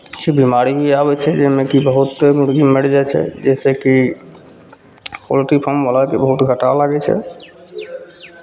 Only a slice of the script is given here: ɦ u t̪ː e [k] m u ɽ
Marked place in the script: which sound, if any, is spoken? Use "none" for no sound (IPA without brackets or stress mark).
none